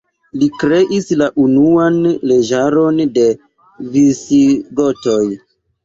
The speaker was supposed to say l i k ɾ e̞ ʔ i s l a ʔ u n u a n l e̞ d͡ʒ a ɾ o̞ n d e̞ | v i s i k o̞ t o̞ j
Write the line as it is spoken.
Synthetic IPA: l i k ɾ e̞ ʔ i s l a ʔ u n u a n l e̞ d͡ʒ a ɾ o̞ n d e̞ | v i s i ɡ o̞ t o̞ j